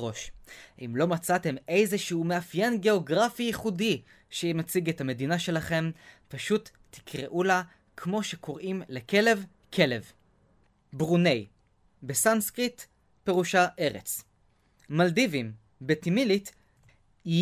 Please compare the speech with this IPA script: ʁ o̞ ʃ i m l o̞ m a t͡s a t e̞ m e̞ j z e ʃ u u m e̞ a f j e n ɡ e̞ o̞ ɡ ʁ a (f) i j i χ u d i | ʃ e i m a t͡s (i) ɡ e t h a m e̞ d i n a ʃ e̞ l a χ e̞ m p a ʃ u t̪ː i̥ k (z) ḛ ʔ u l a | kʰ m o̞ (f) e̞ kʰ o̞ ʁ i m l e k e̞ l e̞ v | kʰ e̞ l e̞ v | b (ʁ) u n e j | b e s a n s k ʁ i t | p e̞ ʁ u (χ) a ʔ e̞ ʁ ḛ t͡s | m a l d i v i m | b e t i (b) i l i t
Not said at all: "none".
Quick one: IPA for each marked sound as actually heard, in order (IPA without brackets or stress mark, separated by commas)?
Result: f, i, ʁ, ʃ, ʁ, ʃ, m